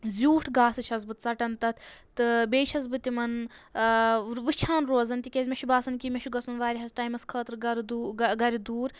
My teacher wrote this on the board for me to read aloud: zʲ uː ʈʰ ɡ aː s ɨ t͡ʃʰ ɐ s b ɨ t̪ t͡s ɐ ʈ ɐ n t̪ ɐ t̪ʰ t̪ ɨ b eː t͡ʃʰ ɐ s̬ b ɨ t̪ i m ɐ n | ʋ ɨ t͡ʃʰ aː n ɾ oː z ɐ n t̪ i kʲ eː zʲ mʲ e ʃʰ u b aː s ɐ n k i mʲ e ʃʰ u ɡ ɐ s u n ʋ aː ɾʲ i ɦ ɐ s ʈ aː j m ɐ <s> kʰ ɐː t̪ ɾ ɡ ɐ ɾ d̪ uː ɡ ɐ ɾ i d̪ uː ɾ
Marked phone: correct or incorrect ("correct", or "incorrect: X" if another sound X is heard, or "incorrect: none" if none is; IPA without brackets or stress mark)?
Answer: correct